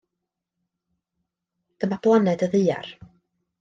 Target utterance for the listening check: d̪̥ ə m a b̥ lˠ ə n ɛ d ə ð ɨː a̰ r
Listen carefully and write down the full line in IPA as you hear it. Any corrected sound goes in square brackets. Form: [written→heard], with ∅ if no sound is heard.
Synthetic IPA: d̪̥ ə m a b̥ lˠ [ə→a] n ɛ d ə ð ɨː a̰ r